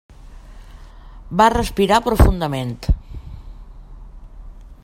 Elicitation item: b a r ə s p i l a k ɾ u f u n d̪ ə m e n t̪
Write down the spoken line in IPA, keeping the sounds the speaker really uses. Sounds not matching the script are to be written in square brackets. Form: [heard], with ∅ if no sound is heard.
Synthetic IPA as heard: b a r ə s p i [ɾ] a [p] ɾ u f u n d̪ ə m e n t̪